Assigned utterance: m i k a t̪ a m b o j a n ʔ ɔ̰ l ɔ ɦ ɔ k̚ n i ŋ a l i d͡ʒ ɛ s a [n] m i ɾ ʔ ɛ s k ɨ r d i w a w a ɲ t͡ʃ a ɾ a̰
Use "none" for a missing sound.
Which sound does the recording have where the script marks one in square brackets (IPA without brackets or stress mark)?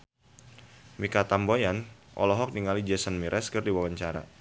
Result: n